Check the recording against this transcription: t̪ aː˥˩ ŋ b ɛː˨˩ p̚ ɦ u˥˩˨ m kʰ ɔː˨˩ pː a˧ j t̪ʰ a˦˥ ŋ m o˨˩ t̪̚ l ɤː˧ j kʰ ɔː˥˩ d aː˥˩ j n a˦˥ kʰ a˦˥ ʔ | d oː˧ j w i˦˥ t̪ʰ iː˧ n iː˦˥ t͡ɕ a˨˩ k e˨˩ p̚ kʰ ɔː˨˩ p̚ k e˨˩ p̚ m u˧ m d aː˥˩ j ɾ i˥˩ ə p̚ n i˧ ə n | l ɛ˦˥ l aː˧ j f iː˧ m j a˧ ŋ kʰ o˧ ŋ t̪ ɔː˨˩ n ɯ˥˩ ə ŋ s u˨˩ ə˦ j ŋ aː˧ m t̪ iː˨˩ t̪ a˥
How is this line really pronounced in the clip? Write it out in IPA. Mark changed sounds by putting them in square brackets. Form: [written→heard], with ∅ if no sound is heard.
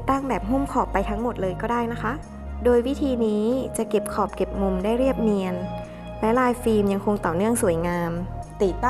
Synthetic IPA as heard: t̪ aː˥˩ ŋ b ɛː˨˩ p̚ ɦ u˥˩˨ m kʰ ɔː˨˩ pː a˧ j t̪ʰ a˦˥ ŋ m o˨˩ t̪̚ l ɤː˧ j [kʰ→k] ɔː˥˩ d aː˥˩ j n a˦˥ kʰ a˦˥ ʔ | d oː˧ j w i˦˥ t̪ʰ iː˧ n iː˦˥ t͡ɕ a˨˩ k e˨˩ p̚ kʰ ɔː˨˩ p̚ k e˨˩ p̚ m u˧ m d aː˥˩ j ɾ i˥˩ ə p̚ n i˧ ə n | l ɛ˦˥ l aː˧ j f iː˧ m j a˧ ŋ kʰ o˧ ŋ t̪ ɔː˨˩ n ɯ˥˩ ə ŋ s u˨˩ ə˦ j ŋ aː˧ m t̪ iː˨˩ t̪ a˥